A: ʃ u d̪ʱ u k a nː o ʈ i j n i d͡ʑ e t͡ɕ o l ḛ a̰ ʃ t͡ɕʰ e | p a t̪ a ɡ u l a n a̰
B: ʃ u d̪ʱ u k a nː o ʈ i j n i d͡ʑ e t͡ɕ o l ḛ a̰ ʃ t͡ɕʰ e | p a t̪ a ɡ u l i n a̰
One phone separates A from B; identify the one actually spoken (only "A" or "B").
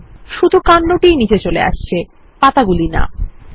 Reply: B